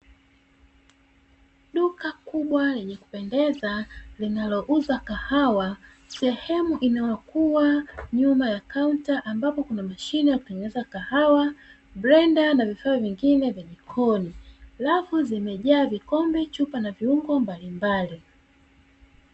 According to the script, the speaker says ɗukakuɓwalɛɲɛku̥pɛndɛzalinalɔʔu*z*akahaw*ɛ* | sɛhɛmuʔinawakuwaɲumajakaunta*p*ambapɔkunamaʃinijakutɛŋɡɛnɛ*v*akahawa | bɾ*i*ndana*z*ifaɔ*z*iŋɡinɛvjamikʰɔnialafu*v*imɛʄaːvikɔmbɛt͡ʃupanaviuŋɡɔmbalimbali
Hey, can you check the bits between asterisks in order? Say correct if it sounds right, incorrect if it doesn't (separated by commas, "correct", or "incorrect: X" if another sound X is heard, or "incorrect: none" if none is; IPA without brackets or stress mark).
correct, incorrect: a, incorrect: ʔ, incorrect: z, incorrect: ɛ, incorrect: v, incorrect: v, incorrect: z